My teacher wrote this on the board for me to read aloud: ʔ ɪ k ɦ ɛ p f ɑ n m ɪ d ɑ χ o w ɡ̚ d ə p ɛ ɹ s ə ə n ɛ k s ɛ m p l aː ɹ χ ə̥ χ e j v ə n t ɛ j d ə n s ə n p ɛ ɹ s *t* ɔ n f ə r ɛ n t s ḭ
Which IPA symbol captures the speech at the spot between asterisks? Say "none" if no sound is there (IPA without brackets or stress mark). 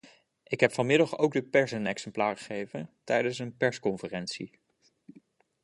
k